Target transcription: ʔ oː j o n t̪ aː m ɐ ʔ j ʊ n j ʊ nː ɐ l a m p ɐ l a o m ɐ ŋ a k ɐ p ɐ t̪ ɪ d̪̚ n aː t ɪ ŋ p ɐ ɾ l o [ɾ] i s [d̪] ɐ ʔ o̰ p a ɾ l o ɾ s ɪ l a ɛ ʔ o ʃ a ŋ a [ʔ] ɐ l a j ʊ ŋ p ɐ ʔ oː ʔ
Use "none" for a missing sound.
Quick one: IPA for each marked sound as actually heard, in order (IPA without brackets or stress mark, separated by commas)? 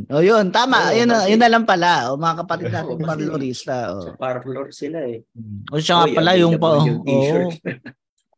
ɾ, t̪, p